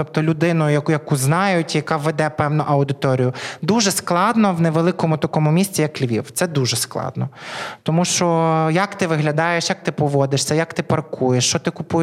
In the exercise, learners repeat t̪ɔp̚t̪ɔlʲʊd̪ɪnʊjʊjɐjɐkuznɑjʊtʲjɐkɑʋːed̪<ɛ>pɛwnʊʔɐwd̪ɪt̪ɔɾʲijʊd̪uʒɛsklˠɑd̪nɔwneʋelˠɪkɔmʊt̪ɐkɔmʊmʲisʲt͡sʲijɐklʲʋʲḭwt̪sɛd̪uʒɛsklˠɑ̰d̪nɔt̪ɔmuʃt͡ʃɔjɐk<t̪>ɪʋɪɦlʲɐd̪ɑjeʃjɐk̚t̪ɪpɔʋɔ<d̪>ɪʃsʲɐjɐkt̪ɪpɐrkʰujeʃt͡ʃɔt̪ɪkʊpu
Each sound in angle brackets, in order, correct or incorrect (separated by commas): correct, correct, correct